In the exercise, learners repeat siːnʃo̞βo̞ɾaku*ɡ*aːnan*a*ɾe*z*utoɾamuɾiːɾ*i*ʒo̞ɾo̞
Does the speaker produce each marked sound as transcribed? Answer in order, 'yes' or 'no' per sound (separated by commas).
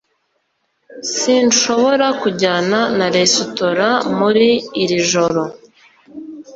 no, yes, no, yes